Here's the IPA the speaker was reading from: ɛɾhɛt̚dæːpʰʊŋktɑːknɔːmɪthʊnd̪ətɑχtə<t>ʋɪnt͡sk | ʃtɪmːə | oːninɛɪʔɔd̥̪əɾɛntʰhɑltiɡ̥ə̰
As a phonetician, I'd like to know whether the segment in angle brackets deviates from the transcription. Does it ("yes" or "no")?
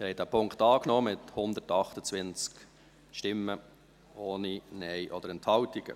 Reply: yes